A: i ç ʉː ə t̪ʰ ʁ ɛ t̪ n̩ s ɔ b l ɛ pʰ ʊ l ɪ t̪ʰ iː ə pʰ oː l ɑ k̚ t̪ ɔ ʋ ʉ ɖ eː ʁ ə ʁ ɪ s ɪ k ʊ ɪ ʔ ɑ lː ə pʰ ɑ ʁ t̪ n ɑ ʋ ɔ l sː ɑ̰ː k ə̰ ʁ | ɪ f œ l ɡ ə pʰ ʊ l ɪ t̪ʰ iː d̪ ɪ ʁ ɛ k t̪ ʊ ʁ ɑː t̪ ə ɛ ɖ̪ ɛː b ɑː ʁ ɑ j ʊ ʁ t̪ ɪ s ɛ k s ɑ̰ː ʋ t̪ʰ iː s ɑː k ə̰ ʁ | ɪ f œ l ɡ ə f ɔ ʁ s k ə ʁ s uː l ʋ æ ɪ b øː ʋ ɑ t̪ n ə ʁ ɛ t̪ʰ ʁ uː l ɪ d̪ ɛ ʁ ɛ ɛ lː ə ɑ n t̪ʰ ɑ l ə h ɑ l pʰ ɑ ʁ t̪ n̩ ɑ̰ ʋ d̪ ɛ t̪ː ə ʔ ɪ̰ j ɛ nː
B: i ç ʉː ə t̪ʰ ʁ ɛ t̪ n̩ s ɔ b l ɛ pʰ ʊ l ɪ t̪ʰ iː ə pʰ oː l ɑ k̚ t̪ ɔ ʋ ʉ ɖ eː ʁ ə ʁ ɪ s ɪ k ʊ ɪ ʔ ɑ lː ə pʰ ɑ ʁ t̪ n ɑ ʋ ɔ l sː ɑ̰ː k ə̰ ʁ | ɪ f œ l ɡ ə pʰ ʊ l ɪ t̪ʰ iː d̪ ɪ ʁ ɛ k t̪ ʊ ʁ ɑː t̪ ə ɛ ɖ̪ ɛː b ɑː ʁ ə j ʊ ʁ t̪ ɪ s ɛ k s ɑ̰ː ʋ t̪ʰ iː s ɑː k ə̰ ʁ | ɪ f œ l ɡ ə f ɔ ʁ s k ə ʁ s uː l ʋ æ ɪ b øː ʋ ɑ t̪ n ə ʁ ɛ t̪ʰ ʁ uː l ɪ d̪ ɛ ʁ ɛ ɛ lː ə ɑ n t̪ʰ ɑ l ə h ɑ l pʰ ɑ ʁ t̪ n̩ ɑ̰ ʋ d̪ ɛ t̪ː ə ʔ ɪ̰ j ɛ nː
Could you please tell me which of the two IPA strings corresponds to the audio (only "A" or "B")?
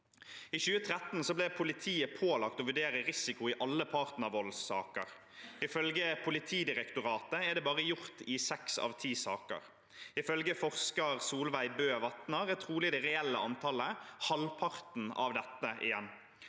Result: B